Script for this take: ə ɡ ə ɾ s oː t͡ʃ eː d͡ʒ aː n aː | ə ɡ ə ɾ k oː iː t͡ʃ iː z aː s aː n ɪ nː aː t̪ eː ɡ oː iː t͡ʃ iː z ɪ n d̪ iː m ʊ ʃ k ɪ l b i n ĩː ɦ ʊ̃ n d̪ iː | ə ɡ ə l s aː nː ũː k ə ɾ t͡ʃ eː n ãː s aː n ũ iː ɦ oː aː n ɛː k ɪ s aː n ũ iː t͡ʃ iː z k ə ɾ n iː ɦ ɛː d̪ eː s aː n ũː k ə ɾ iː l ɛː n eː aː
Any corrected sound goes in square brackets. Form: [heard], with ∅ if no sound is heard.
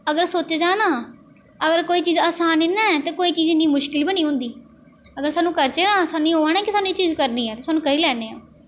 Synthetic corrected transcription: ə ɡ ə ɾ s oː t͡ʃ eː d͡ʒ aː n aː | ə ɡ ə ɾ k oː iː t͡ʃ iː z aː s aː n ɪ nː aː t̪ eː [k] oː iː t͡ʃ iː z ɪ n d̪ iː m ʊ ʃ k ɪ l b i n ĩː ɦ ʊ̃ n d̪ iː | ə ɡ ə [ɾ] s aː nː ũː k ə ɾ t͡ʃ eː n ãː s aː n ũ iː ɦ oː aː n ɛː k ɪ s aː n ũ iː t͡ʃ iː z k ə ɾ n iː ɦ ɛː [t̪] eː s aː n ũː k ə ɾ iː l ɛː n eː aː

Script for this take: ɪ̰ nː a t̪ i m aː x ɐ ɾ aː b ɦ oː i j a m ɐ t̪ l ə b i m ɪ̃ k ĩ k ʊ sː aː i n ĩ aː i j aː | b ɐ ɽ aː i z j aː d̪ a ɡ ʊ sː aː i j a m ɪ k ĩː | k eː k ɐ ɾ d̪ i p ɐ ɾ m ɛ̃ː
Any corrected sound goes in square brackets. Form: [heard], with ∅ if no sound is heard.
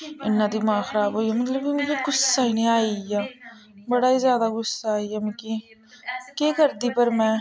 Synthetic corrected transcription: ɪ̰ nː a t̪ i m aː x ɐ ɾ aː b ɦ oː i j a m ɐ t̪ l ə b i m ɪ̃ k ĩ [ɡ] ʊ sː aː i n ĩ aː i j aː | b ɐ ɽ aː i z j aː d̪ a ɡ ʊ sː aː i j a m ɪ k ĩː | k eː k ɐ ɾ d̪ i p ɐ ɾ m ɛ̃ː

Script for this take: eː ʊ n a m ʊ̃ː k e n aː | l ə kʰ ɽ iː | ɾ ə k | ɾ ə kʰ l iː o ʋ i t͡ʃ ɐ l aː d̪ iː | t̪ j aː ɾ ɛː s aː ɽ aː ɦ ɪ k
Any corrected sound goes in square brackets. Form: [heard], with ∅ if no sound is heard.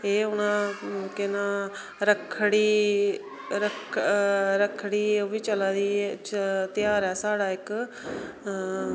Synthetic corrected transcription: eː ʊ n a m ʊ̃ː k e n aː | [ɾ] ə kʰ ɽ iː | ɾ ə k | ɾ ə kʰ [ɽ] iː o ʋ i t͡ʃ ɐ l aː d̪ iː | t̪ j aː ɾ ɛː s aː ɽ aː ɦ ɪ k

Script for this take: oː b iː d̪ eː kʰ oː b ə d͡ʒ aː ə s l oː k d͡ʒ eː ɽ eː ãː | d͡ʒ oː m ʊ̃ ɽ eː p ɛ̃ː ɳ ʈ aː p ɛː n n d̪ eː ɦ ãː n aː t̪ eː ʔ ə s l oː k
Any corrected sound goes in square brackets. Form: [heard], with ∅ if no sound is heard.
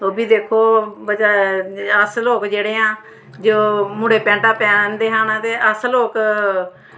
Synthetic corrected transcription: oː b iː d̪ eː kʰ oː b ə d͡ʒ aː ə s l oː k d͡ʒ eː ɽ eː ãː | d͡ʒ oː m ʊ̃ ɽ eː p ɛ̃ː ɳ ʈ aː p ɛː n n d̪ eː ɦ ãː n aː t̪ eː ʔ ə s l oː k

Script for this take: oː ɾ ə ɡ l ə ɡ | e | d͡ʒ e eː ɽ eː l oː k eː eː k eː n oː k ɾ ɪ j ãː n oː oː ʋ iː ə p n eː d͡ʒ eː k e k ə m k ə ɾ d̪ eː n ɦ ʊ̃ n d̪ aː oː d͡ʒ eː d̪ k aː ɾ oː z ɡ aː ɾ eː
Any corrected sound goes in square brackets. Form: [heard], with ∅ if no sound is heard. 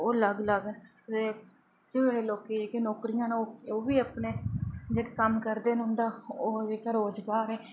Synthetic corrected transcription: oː [l] ə ɡ l ə ɡ | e | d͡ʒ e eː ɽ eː l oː k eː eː k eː n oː k ɾ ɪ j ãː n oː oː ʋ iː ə p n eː d͡ʒ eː k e k ə m k ə ɾ d̪ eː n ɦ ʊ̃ n d̪ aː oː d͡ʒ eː [∅] k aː ɾ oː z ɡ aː ɾ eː

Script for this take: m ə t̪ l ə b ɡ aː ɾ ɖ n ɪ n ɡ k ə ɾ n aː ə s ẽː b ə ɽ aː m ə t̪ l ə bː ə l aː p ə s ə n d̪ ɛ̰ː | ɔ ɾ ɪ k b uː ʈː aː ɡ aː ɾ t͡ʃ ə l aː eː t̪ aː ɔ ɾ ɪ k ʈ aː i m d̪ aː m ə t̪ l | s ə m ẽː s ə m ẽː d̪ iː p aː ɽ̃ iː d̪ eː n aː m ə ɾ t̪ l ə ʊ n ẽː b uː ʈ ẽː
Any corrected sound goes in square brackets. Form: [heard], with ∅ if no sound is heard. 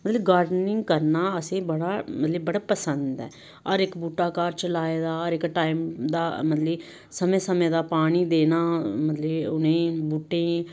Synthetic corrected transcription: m ə t̪ l ə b ɡ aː ɾ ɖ n ɪ [ŋ] ɡ k ə ɾ n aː ə s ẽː b ə ɽ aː m ə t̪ l ə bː ə [ɽ] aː p ə s ə n d̪ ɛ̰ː | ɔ ɾ ɪ k b uː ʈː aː [k] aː ɾ t͡ʃ ə l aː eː [d̪] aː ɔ ɾ ɪ k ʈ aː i m d̪ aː m ə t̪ l | s ə m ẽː s ə m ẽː d̪ [aː] p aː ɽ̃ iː d̪ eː n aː m ə [∅] t̪ l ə ʊ n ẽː b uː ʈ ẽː

